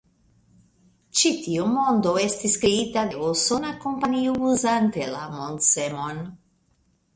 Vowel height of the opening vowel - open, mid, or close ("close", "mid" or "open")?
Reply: close